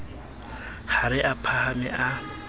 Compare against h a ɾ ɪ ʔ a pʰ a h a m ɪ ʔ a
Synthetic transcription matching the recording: h a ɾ ɪ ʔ a pʰ a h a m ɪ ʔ a